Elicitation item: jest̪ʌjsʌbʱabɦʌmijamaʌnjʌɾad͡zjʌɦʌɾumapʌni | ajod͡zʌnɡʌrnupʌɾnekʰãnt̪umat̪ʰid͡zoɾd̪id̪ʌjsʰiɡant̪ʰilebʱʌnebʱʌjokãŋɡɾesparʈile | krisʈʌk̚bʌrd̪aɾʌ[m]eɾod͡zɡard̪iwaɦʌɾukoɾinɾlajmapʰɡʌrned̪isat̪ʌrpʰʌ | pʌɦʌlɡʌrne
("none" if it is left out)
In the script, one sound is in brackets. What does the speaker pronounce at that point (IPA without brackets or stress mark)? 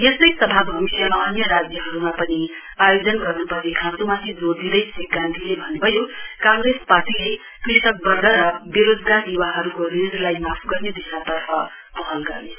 b